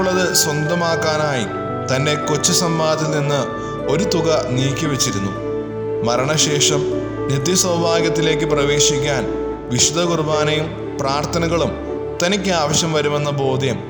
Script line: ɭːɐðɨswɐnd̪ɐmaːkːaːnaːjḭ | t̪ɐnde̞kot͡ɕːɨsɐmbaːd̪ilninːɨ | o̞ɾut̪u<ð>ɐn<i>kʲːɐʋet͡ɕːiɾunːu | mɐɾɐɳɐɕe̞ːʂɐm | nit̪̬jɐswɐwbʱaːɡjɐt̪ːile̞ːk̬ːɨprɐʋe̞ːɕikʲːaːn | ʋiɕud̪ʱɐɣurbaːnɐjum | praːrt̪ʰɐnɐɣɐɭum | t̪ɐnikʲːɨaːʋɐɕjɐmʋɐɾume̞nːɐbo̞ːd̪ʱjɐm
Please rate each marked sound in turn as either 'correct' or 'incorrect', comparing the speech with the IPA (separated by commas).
incorrect, incorrect